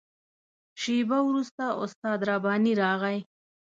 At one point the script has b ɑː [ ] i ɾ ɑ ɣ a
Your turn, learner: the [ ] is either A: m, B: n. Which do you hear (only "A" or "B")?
B